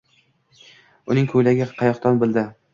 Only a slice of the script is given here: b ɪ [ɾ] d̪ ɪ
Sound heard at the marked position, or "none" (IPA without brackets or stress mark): l